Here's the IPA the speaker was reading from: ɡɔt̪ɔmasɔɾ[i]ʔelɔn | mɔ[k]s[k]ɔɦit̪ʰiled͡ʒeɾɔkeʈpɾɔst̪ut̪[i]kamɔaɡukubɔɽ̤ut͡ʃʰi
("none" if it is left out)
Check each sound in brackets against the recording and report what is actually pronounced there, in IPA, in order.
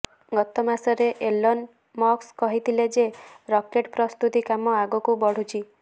e, k, k, i

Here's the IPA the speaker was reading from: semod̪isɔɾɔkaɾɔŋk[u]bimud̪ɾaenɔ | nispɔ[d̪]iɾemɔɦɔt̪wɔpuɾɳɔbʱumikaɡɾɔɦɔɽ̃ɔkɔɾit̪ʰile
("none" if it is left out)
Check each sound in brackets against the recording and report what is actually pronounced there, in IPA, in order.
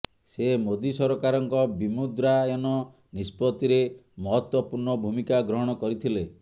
ɔ, t̪

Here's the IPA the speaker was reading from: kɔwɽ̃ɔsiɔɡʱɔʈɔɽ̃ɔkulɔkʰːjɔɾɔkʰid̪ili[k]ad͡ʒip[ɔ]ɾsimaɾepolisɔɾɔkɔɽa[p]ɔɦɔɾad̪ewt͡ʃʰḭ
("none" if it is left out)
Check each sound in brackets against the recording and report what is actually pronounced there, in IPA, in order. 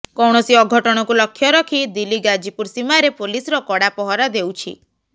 ɡ, u, p

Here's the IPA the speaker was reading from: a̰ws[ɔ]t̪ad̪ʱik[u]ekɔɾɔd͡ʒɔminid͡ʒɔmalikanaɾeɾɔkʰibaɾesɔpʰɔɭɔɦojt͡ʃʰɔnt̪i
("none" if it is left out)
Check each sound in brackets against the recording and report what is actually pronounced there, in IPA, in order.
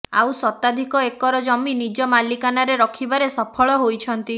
ɔ, ɔ

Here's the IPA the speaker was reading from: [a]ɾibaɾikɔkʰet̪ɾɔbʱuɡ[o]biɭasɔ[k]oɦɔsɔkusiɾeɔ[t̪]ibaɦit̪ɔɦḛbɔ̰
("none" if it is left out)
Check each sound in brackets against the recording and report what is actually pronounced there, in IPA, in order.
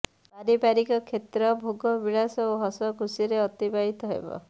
a, ɔ, none, t̪

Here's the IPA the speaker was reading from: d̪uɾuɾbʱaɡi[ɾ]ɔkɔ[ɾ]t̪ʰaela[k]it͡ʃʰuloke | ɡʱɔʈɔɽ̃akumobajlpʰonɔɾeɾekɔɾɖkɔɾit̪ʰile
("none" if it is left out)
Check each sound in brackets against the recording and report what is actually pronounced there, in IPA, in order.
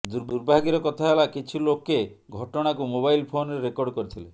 ɾ, none, k

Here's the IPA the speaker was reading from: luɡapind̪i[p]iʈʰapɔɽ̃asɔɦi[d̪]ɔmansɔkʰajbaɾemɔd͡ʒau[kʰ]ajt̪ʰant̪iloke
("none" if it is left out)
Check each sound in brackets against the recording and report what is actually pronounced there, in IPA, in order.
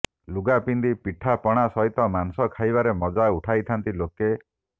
p, t̪, ʈʰ

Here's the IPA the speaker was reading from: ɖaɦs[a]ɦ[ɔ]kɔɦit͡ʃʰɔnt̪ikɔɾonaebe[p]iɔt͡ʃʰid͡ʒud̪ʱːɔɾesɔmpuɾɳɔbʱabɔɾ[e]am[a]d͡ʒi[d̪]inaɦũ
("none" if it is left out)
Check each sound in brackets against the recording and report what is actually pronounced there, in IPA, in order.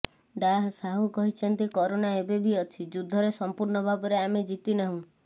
a, u, b, e, e, t̪

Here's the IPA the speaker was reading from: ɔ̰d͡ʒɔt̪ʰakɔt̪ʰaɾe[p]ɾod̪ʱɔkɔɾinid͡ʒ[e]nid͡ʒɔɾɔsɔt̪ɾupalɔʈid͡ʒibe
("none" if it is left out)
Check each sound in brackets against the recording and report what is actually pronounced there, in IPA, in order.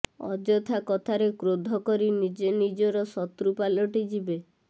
k, e

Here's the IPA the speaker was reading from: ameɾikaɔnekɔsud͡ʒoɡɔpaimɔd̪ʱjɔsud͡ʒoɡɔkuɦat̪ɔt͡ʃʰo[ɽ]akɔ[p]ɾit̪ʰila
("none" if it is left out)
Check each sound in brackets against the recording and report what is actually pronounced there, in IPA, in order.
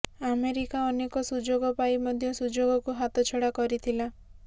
ɽ, none

